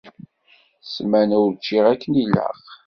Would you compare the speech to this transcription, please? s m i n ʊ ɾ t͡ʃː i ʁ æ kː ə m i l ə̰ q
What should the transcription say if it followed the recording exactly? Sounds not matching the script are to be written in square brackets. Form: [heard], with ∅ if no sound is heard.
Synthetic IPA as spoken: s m [æ] n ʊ ɾ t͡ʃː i ʁ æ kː ə [n] i l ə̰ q